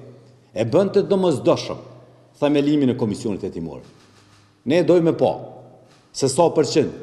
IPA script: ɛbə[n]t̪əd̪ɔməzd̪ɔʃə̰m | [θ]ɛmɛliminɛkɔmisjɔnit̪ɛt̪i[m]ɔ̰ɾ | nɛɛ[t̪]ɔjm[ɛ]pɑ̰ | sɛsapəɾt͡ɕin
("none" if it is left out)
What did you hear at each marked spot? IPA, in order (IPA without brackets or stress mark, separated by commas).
n, θ, m, d̪, ɛ